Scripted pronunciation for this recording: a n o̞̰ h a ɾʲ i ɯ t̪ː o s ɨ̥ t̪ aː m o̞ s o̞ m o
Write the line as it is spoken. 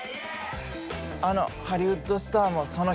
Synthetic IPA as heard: a n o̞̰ h a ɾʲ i ɯ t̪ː o s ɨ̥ t̪ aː m o̞ s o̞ n o